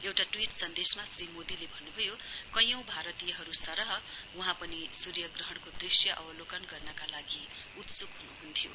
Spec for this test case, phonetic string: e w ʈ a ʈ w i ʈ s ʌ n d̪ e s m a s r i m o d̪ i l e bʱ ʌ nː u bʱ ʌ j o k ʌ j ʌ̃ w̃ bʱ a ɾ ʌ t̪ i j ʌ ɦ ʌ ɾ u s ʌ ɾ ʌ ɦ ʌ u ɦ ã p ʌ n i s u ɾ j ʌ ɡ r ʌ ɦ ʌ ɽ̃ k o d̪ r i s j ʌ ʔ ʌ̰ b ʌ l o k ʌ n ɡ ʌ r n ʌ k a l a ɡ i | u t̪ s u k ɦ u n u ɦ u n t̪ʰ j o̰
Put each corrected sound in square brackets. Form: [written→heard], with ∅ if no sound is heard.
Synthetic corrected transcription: e w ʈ a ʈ w i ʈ s ʌ n d̪ e s m a s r i m o d̪ i l e bʱ ʌ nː u bʱ ʌ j o k ʌ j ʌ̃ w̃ bʱ a ɾ ʌ t̪ i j ʌ ɦ ʌ ɾ u s ʌ ɾ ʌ ɦ ʌ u ɦ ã p ʌ n i s u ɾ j ʌ ɡ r ʌ ɦ ʌ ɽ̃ k o d̪ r i s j ʌ ʔ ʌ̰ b ʌ l o k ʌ n ɡ ʌ r n ʌ k a l a ɡ i | u t̪ s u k ɦ u n u ɦ u n t̪ʰ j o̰